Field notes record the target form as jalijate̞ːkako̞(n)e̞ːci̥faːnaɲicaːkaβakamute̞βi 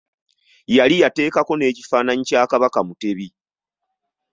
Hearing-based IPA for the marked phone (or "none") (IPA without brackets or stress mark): n